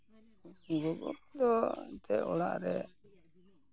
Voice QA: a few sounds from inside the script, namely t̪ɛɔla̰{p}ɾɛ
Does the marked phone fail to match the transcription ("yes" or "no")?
yes